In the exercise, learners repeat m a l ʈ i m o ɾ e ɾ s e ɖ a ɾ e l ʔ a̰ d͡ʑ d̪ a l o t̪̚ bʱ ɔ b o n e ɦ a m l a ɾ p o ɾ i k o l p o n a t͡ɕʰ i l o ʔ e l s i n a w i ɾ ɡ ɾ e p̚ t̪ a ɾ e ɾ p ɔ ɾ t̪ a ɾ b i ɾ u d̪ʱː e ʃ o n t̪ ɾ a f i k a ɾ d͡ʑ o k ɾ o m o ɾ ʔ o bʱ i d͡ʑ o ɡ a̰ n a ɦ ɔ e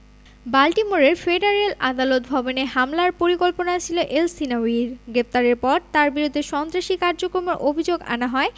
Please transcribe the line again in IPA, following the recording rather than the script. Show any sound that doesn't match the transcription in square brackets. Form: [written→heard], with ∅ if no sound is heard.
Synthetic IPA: [m→b] a l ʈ i m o ɾ e ɾ [s→f] e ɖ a ɾ e l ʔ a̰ [d͡ʑ→∅] d̪ a l o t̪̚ bʱ ɔ b o n e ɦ a m l a ɾ p o ɾ i k o l p o n a t͡ɕʰ i l o ʔ e l s i n a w i ɾ ɡ ɾ e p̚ t̪ a ɾ e ɾ p ɔ ɾ t̪ a ɾ b i ɾ u d̪ʱː e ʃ [o→ɔ] n t̪ ɾ a [f→ʃ] i k a ɾ d͡ʑ o k ɾ o m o ɾ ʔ o bʱ i d͡ʑ o ɡ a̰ n a ɦ ɔ e